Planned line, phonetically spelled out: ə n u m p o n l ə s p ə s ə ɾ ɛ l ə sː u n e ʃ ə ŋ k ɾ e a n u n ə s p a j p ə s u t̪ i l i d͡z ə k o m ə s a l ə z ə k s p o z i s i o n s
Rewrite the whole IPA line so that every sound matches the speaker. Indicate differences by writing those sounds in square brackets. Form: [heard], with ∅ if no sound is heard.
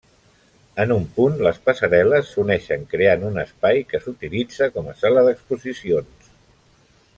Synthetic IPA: ə n u m p [u] n l ə s p ə s ə ɾ ɛ l ə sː u n [ɛ] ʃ ə ŋ k ɾ e a n u n ə s p a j [k] ə s u t̪ i l i d͡z ə k [ɔ] m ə s a l ə [ð] ə k s p [u] z i s i o n s